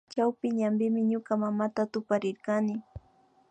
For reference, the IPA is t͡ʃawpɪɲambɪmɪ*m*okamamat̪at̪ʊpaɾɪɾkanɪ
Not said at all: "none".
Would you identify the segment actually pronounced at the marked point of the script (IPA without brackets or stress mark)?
ɲ